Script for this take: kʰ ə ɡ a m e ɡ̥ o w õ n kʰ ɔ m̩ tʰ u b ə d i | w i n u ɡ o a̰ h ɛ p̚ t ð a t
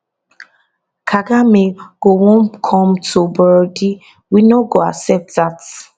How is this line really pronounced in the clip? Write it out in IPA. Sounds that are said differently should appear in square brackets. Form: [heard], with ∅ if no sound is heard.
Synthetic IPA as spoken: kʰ [a] ɡ a m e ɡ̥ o w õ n kʰ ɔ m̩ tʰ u b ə d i | w i n [o] ɡ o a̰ [s] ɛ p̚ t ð a t

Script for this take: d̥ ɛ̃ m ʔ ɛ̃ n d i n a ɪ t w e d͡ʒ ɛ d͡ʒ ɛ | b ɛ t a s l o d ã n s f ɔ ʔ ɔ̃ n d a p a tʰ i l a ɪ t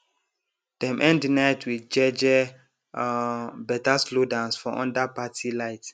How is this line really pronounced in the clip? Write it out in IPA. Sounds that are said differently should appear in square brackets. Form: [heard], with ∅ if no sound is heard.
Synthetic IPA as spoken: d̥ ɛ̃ m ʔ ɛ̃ n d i n a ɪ t w [i] d͡ʒ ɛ d͡ʒ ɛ | b ɛ t a s l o d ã n s f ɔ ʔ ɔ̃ n d a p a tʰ i l a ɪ t

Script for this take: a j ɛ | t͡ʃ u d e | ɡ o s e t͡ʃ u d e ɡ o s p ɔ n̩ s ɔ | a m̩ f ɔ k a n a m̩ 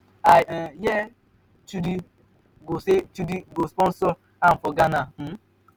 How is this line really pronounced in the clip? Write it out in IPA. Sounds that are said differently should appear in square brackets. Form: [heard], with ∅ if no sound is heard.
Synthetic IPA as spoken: a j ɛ | t͡ʃ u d [i] | ɡ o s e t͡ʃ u d [i] ɡ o s p ɔ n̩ s ɔ | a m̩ f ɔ [ɡ] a n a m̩

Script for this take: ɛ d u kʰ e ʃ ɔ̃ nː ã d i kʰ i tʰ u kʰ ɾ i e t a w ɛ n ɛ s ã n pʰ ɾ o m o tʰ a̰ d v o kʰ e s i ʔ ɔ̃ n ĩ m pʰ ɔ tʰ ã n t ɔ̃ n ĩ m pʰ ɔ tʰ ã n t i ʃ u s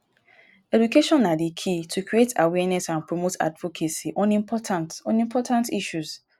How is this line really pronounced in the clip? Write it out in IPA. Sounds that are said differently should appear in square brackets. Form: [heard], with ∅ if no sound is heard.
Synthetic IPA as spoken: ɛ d u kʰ e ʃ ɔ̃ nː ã d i kʰ i tʰ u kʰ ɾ i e t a w ɛ n ɛ s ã n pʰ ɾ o m o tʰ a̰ d v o kʰ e s i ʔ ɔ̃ n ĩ m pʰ ɔ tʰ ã n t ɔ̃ n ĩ m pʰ ɔ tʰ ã n t i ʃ u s

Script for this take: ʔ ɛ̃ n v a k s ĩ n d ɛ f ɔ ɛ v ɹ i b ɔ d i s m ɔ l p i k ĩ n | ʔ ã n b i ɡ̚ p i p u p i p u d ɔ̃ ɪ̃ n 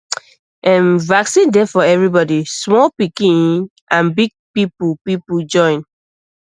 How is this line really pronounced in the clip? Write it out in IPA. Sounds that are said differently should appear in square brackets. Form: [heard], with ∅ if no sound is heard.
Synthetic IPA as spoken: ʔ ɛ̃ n v a k s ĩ n d ɛ f ɔ ɛ v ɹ i b ɔ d i s m ɔ l p i k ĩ n | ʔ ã n b i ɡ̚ p i p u p i p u [d͡ʒ] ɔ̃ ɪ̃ n

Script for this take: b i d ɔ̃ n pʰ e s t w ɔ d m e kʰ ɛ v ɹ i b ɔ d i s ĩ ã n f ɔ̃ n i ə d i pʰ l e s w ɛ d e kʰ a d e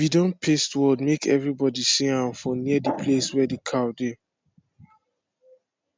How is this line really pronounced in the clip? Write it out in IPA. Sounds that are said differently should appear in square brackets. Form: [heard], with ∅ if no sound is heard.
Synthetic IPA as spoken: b i d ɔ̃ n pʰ e s t w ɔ d m e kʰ ɛ v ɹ i b ɔ d i s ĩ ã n f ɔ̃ n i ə d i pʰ l e s w ɛ d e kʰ a d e

